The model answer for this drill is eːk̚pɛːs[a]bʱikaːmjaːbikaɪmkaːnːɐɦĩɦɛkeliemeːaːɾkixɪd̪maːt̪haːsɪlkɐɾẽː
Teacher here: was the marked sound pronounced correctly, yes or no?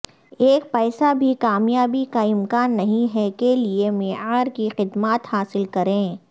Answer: yes